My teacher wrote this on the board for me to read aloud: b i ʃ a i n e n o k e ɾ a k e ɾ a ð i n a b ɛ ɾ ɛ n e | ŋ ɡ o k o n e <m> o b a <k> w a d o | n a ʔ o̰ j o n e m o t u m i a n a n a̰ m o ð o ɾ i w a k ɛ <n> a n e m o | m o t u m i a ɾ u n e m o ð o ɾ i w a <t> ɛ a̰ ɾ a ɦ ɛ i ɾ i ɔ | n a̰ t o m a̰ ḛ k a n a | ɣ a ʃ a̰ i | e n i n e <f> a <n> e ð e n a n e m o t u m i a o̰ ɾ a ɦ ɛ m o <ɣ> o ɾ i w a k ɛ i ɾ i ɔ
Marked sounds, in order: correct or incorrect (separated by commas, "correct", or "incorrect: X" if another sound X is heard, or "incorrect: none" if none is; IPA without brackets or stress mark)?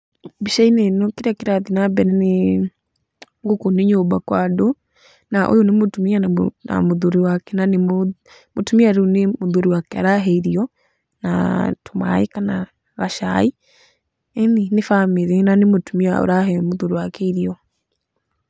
incorrect: ɲ, correct, correct, incorrect: k, correct, incorrect: m, incorrect: ð